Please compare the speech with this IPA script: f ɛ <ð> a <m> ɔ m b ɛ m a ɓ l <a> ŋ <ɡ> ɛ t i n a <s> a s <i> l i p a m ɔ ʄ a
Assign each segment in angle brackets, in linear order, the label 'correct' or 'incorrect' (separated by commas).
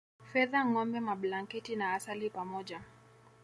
correct, incorrect, correct, incorrect, incorrect, incorrect